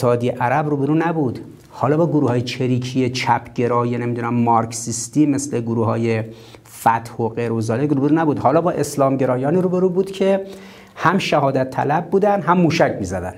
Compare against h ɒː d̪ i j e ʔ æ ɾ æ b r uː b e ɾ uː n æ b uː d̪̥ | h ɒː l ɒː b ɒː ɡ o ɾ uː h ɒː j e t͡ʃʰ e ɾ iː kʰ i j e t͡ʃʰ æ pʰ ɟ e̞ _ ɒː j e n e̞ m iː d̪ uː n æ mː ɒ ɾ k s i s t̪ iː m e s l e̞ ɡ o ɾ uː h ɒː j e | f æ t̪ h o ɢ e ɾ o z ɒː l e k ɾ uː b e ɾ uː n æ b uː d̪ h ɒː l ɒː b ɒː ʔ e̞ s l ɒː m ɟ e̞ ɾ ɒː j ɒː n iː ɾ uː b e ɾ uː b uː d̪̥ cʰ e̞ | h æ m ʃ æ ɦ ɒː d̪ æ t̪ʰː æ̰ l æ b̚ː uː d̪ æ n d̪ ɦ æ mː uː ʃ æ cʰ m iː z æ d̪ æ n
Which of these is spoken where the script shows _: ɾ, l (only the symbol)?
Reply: ɾ